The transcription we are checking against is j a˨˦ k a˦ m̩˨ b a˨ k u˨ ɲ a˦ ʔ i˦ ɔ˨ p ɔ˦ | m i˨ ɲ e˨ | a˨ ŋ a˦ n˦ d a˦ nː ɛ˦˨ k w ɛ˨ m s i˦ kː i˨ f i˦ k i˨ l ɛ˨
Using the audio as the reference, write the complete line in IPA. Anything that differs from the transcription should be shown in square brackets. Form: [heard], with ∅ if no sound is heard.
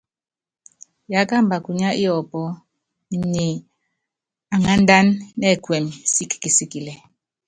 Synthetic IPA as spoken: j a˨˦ k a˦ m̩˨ b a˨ k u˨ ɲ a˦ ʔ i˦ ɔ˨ p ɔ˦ | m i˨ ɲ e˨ | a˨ ŋ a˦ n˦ d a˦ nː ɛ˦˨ k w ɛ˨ m s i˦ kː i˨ [s] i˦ k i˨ l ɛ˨

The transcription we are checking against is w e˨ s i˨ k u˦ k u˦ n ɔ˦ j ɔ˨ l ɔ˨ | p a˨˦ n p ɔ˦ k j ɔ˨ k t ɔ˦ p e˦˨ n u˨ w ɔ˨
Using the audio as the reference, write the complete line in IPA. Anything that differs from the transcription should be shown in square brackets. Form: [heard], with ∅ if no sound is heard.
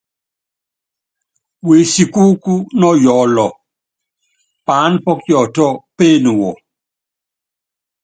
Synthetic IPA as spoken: w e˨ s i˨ k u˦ k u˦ n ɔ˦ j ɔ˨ l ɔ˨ | p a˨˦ n p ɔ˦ k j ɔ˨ [∅] t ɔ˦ p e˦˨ n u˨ w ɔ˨

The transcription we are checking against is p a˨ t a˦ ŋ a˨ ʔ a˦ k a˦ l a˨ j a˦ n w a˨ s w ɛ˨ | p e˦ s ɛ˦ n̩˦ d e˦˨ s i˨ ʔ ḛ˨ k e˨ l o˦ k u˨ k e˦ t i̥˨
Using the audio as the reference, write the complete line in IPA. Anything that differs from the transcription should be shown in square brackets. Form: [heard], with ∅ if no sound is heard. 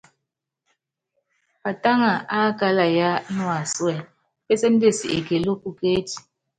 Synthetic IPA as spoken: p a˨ t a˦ ŋ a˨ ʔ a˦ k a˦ l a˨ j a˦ n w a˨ s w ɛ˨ | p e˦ s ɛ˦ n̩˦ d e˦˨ s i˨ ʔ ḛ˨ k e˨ l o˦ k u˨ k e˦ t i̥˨

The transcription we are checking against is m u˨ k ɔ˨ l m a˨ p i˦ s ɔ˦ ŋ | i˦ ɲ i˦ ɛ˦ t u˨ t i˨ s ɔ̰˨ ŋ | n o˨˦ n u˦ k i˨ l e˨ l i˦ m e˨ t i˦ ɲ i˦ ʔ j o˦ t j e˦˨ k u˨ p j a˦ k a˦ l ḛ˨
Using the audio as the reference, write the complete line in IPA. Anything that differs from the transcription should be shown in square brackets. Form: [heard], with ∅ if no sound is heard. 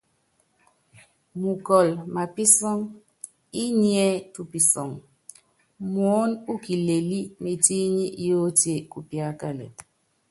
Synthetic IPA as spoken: m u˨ k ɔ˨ l m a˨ p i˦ s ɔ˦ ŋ | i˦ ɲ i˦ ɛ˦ t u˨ [p] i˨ s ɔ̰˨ ŋ | [m] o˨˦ n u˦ k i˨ l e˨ l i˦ m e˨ t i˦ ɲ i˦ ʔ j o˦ t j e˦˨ k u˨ p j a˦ k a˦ l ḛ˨

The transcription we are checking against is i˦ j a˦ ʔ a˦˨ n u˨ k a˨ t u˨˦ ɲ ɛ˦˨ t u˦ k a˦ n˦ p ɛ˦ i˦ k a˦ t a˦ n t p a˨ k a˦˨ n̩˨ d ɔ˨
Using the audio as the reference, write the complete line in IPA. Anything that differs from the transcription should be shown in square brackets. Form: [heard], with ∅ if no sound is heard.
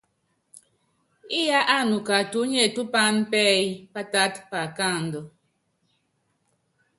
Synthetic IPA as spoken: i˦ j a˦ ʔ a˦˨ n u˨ k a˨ t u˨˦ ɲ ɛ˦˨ t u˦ [p] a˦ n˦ p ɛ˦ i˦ [p] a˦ t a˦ [∅] t p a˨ k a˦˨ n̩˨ d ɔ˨

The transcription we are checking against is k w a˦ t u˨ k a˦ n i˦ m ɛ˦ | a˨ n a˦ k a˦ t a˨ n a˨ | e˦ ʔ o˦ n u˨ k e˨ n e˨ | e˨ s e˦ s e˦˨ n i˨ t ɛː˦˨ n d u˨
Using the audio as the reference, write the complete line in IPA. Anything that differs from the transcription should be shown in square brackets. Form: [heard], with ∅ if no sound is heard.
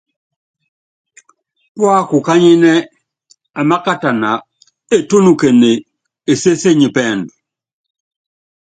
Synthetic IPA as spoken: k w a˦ [k] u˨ k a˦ [ɲ] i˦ [n] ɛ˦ | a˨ [m] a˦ k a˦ t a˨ n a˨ | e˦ [t] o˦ n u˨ k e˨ n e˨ | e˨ s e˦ s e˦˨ [ɲ] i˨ [p] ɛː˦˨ n d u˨

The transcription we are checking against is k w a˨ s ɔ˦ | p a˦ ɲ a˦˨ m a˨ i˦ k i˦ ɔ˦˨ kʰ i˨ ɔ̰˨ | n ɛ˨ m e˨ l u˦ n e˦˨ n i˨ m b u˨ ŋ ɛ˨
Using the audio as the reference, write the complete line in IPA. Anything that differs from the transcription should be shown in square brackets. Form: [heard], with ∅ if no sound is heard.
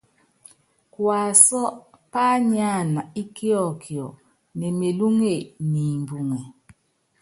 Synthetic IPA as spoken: k w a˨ s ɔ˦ | p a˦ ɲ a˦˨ [n] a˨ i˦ k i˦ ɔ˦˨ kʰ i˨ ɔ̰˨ | n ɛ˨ m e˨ l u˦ [ŋ] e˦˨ n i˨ m b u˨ ŋ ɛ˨

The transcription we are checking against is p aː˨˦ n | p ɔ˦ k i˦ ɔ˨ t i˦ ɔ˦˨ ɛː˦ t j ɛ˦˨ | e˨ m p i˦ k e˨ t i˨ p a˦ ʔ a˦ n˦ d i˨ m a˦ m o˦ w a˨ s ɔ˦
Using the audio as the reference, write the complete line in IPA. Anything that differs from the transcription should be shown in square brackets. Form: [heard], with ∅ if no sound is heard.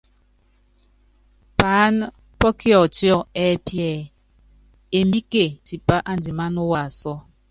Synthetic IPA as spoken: p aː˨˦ n | p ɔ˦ k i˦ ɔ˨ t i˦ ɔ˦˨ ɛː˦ [p] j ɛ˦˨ | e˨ m [b] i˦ k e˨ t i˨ p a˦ ʔ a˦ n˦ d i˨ m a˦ [n] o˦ w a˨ s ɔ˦

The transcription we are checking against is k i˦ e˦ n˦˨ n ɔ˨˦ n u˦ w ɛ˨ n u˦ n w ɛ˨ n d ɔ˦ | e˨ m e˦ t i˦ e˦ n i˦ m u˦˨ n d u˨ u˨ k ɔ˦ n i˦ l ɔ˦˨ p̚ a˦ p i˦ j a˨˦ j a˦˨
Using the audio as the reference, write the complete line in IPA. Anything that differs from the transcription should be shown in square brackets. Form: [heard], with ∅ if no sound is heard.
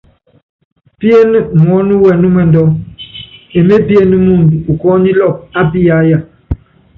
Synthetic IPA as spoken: [p] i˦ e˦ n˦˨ [m] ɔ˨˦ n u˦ w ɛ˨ n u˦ [m] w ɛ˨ n d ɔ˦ | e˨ m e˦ [p] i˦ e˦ n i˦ m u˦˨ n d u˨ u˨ k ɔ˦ n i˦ l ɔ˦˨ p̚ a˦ p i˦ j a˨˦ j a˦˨

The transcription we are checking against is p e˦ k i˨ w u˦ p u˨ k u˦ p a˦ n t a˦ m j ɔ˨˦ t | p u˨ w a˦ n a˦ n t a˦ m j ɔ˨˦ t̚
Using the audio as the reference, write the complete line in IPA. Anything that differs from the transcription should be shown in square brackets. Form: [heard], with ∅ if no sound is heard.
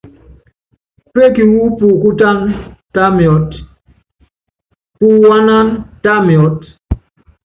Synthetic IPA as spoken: p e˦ k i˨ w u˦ p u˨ k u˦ [t] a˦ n t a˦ m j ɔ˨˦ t | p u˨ w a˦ n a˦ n t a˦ m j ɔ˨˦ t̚

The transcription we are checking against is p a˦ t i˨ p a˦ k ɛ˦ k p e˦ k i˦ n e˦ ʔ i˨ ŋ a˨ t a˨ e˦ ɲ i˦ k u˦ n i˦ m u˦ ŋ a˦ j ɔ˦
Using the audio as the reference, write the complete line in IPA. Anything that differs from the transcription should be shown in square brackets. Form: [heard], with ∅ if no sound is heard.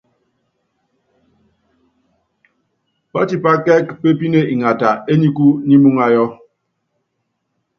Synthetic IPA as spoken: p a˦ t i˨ p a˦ k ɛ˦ k p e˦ [p] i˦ n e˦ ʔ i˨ ŋ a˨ t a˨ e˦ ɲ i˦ k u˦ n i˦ m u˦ ŋ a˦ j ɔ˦

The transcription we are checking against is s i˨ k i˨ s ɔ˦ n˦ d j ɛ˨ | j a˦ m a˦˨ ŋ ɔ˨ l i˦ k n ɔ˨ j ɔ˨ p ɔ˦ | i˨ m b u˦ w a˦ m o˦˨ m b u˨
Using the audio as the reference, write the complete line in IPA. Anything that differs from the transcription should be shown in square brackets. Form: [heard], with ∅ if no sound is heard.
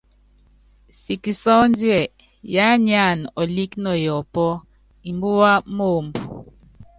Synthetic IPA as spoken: s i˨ k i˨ s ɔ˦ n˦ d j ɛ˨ | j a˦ [ɲ] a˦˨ [n] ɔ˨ l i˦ k n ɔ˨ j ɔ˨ p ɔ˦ | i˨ m b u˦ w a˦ m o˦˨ m b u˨

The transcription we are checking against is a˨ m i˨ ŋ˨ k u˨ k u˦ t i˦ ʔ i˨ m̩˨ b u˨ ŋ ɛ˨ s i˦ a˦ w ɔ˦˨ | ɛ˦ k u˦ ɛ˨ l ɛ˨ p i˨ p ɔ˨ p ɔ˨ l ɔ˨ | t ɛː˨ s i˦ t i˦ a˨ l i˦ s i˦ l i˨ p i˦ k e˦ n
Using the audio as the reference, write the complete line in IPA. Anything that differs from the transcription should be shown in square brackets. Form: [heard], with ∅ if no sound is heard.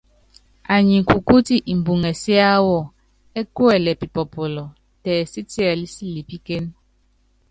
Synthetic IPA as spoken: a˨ [ɲ] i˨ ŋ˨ k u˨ k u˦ t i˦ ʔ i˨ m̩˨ b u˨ ŋ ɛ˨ s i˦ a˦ w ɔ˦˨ | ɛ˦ k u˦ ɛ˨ l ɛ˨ p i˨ p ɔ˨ p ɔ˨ l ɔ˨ | t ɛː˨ s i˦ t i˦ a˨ l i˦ s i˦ l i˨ p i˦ k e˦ n

